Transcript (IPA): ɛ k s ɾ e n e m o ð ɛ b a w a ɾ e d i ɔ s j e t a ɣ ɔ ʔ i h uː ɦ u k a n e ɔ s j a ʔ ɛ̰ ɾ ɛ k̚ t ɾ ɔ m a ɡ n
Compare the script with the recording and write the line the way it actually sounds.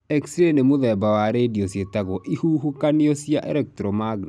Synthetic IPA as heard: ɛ k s ɾ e n e m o ð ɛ b a w a ɾ e d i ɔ s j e t a ɣ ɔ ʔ i h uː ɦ u k a n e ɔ s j a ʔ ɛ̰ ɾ ɛ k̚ t ɾ ɔ m a ɡ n